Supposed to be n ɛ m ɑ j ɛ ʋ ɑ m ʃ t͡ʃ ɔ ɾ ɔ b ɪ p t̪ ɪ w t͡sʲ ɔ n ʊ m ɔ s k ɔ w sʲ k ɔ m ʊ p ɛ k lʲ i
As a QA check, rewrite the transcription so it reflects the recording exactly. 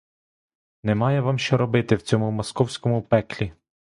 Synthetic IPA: n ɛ m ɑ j ɛ ʋ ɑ m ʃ t͡ʃ ɔ ɾ ɔ b ɪ t̪ ɪ w t͡sʲ ɔ m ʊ m ɔ s k ɔ w sʲ k ɔ m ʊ p ɛ k lʲ i